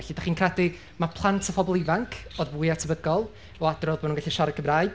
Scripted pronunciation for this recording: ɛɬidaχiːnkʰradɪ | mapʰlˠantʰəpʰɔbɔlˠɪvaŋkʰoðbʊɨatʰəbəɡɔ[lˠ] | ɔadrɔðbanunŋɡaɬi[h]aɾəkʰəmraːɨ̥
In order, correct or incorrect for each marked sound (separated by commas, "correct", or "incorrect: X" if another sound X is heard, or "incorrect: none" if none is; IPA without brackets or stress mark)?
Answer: correct, incorrect: ʃ